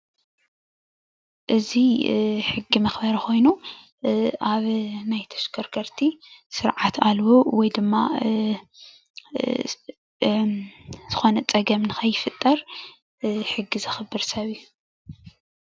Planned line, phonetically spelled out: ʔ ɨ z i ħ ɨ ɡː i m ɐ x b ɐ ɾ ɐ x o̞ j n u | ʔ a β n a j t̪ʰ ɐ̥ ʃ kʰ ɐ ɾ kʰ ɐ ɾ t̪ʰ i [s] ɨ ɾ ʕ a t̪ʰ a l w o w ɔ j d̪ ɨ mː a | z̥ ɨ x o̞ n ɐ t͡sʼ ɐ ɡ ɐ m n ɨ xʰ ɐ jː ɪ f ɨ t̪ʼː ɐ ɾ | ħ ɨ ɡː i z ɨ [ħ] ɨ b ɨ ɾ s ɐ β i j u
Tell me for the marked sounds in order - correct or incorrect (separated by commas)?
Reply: correct, incorrect